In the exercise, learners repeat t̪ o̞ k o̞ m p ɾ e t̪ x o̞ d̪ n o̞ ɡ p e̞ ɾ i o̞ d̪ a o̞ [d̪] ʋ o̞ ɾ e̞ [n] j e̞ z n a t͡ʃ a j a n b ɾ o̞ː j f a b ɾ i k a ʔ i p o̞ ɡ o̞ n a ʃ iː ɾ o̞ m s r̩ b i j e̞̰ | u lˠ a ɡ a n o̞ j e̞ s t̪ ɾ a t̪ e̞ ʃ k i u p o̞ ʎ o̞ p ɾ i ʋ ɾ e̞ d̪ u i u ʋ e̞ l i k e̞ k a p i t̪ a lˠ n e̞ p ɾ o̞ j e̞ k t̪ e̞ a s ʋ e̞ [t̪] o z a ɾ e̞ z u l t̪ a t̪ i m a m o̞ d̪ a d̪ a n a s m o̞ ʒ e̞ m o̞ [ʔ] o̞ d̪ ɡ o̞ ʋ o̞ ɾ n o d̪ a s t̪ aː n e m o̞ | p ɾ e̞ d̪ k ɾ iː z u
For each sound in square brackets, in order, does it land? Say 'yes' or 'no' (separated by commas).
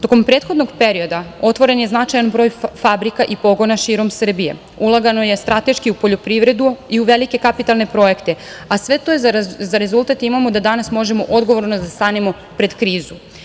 no, yes, yes, yes